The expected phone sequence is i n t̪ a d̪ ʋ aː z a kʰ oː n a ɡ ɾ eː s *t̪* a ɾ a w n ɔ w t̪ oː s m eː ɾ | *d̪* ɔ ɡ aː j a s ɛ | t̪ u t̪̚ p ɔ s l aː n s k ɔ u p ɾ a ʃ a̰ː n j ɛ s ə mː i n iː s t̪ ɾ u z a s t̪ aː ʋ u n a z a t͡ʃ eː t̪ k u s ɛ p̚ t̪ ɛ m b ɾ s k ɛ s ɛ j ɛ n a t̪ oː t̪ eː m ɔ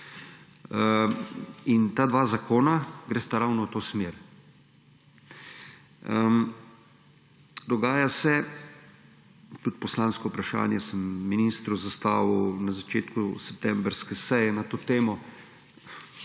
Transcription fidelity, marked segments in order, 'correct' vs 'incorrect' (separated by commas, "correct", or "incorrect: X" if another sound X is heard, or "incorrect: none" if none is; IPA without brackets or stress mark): correct, correct